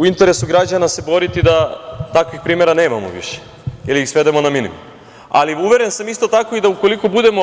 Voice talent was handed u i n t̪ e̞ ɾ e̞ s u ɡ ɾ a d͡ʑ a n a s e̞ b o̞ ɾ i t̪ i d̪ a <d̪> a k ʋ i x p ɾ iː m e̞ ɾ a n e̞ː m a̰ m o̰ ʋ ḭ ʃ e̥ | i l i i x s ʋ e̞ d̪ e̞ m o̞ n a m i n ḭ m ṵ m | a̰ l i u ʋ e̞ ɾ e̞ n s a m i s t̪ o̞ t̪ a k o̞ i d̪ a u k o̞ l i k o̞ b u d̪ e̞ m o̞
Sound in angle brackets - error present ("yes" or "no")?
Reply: yes